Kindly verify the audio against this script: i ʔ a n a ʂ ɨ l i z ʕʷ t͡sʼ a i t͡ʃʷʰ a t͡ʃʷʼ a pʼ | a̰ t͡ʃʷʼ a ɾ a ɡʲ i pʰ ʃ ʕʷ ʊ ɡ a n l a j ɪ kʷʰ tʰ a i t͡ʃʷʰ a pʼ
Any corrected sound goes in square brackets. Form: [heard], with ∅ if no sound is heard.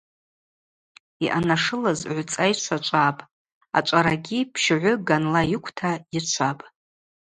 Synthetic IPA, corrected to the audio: i ʔ a n a ʂ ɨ l [a] z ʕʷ t͡sʼ a [j] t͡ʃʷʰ a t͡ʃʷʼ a pʼ | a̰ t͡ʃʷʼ a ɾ a ɡʲ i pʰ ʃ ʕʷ ʊ ɡ a n l a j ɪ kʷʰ tʰ a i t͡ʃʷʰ a pʼ